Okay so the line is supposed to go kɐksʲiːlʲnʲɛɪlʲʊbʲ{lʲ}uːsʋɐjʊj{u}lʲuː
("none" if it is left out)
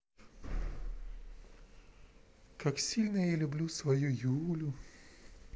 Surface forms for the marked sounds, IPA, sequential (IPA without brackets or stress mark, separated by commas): lʲ, uː